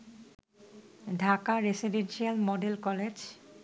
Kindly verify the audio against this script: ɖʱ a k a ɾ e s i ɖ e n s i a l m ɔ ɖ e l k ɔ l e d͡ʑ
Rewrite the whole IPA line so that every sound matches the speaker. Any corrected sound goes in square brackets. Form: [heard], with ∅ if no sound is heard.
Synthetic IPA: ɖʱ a k a ɾ e s i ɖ e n [ʃ] i a l m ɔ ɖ e l k ɔ l e d͡ʑ

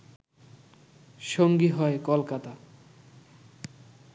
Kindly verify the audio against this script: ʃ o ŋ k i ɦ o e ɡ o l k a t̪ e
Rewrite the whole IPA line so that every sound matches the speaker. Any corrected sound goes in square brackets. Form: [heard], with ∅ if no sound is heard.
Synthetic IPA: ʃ o ŋ [ɡ] i ɦ [ɔ] e [k] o l k a t̪ [a]

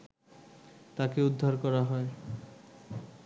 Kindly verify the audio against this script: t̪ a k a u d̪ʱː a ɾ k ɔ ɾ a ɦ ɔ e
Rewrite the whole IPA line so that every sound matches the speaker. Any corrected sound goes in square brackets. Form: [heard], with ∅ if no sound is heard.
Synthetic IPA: t̪ a k [e] u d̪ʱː a ɾ k ɔ ɾ a ɦ ɔ e

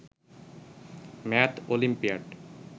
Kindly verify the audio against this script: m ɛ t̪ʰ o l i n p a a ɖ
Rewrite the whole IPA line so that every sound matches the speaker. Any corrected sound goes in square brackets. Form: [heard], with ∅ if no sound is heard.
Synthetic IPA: m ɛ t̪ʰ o l i [m] p [i] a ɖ

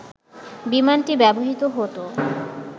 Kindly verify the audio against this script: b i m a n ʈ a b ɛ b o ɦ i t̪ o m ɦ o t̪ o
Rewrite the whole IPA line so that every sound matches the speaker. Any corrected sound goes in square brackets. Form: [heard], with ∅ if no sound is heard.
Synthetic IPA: b i m a n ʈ [i] b ɛ b o ɦ i t̪ o [∅] ɦ o t̪ o

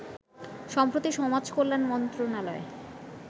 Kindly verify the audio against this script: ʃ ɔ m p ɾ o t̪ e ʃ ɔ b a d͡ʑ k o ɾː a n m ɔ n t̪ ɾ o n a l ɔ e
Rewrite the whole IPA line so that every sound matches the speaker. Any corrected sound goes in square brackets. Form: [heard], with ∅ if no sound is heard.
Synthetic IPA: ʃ ɔ m p ɾ o t̪ [i] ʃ ɔ [m] a d͡ʑ k o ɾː a n m ɔ n t̪ ɾ o n a l ɔ e

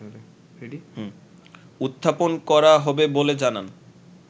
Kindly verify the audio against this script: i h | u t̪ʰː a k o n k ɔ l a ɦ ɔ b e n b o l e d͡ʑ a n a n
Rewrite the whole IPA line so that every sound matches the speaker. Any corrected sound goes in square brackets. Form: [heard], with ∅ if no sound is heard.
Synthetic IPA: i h | u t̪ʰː a [p] o n k ɔ [ɾ] a ɦ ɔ b e [∅] b o l e d͡ʑ a n a n

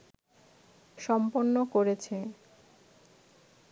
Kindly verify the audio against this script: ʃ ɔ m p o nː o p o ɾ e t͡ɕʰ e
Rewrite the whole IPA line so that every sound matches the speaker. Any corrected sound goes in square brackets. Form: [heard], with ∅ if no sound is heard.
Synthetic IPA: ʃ ɔ m p o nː o [k] o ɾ e t͡ɕʰ e

